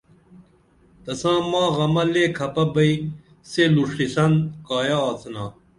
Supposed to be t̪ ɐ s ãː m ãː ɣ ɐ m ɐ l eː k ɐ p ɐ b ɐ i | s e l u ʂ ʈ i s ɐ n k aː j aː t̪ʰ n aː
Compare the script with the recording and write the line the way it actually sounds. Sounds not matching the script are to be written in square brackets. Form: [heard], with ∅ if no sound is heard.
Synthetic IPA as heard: t̪ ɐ s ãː m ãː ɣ ɐ m ɐ l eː [kʰ] ɐ p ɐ b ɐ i | s e l u ʂ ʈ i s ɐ n k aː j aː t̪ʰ n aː

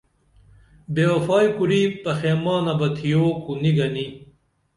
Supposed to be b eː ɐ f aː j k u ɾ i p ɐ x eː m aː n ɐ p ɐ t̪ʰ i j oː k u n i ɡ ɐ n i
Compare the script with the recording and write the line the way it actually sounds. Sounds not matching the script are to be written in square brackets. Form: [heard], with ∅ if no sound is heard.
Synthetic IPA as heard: b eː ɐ f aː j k u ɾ i p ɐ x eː m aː n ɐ [b] ɐ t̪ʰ i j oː k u n i ɡ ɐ n i

